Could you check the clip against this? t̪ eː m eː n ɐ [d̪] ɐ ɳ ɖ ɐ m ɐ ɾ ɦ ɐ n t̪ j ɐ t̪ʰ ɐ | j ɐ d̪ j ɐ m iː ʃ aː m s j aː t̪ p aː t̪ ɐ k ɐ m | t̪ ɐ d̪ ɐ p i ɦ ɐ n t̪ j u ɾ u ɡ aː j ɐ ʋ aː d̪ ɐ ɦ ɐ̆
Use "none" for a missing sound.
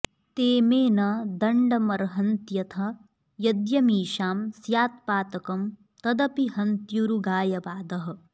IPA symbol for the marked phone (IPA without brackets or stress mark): d̪